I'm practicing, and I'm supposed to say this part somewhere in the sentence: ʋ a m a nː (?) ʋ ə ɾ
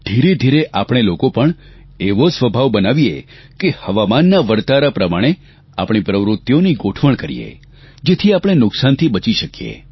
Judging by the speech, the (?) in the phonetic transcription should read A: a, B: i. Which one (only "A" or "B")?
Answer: A